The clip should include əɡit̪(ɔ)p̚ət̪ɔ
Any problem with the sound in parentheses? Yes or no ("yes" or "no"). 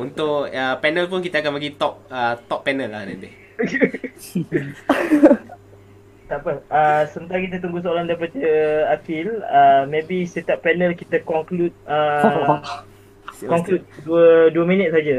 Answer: no